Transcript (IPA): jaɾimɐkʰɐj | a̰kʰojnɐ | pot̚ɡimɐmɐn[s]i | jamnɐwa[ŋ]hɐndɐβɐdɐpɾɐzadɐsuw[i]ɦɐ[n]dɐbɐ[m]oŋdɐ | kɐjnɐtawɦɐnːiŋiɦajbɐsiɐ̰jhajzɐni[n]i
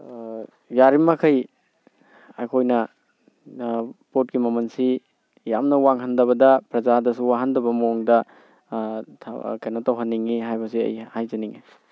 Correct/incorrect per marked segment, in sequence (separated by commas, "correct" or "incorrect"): correct, correct, incorrect, correct, correct, incorrect